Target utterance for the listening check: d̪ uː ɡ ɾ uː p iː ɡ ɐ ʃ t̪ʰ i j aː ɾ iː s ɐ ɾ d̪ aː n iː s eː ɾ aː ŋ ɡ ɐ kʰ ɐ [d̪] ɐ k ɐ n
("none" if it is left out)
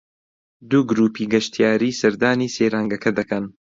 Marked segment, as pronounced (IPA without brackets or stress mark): d̪